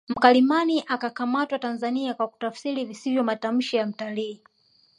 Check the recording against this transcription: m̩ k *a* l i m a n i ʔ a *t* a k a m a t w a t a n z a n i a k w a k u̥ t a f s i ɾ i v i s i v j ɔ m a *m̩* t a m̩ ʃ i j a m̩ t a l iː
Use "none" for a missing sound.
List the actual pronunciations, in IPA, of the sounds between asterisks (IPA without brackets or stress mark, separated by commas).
a, k, none